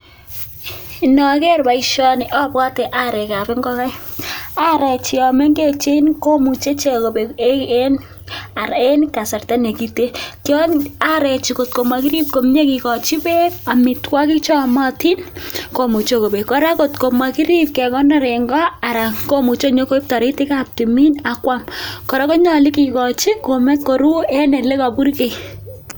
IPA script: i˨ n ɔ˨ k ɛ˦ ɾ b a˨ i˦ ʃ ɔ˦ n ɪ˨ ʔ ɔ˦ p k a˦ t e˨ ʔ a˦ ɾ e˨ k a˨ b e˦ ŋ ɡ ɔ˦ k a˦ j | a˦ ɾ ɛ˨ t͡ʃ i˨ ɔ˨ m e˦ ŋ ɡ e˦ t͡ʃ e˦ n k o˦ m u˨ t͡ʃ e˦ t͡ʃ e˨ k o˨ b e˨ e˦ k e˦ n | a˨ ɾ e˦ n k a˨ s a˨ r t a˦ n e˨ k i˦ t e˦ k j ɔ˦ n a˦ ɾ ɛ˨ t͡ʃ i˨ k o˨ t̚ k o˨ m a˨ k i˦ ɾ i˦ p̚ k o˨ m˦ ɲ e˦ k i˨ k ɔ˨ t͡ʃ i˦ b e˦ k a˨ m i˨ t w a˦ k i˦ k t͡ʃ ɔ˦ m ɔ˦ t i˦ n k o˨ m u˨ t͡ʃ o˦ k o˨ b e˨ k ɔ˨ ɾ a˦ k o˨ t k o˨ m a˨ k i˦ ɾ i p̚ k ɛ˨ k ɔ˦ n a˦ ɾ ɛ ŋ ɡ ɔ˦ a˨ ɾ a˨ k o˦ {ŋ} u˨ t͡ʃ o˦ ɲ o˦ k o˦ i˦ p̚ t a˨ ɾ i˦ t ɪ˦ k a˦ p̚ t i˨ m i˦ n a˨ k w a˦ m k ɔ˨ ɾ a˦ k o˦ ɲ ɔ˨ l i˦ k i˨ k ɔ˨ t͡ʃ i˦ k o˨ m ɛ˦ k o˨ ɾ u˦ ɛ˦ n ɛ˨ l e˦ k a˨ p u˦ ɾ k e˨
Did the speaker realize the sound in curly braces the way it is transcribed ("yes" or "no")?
no